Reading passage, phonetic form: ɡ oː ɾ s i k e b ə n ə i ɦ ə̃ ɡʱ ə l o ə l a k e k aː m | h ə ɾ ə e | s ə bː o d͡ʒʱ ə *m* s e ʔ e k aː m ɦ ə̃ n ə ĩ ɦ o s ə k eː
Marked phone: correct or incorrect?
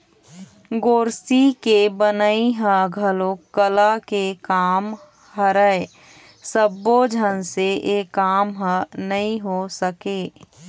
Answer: incorrect